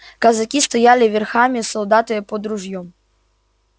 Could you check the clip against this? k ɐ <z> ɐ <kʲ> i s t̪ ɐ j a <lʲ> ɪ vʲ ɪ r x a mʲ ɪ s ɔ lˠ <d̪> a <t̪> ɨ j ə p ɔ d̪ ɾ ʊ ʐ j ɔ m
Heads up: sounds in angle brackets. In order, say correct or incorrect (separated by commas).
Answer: correct, correct, correct, correct, correct